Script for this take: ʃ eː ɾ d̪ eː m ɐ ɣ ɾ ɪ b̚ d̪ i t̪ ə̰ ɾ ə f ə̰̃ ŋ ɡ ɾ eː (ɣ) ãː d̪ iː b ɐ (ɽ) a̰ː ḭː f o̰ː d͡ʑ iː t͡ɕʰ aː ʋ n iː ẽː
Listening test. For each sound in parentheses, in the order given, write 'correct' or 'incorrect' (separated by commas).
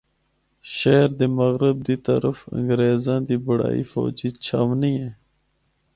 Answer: incorrect, correct